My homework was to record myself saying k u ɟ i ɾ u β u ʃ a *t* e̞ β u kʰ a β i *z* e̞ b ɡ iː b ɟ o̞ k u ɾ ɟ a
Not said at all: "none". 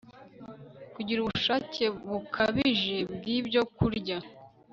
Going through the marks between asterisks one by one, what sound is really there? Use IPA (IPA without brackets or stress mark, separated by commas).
c, ʒ